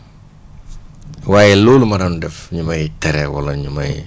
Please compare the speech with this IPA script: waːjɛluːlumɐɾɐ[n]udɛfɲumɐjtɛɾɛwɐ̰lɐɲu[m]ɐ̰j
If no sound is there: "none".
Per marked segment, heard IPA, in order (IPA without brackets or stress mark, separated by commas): n, m